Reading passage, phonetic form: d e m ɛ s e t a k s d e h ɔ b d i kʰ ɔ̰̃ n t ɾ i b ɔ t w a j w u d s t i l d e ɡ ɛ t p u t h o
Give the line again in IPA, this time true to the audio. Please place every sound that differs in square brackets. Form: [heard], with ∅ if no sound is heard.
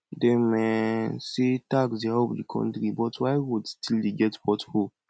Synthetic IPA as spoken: d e m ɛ s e t a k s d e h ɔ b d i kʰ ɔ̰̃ n t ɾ i b ɔ t w a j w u d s t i l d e ɡ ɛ t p [ɔ] t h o

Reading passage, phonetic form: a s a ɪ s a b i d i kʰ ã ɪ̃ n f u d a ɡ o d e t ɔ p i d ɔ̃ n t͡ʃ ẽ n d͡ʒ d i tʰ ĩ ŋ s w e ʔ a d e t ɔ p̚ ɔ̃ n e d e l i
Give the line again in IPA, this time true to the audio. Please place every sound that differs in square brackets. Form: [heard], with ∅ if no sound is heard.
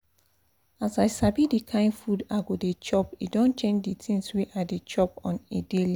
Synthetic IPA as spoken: a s a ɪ s a b i d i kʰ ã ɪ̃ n f u d a ɡ o d e [t͡ʃ] ɔ p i d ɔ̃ n t͡ʃ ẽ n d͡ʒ d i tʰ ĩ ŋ s w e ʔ a d e [t͡ʃ] ɔ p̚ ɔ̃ n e d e l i

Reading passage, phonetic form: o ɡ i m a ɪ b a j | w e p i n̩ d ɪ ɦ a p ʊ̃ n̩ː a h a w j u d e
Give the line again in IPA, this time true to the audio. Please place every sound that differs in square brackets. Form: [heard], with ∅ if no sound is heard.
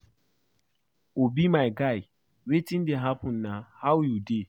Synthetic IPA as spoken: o [b] i m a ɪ [ɡ] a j | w e [t] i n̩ d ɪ ɦ a p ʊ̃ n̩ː a h a w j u d e

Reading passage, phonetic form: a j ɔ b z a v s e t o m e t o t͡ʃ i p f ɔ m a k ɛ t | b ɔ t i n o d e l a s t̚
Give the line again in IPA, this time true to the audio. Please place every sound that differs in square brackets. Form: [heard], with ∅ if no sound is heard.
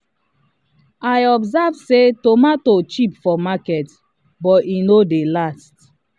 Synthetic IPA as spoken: a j ɔ b z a v s e t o m [a] t o t͡ʃ i p f ɔ m a k ɛ t | b ɔ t i n o d e l a s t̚

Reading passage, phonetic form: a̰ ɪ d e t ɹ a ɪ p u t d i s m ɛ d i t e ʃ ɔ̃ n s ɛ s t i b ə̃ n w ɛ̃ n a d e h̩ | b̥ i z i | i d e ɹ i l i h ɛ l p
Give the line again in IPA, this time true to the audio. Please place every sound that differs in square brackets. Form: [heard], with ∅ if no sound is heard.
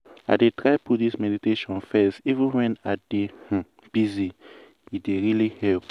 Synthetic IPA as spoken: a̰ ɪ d e t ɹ a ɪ p u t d i s m ɛ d i t e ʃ ɔ̃ n [f] ɛ s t i [v] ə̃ n w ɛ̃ n a d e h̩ | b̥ i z i | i d e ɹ i l i h ɛ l p

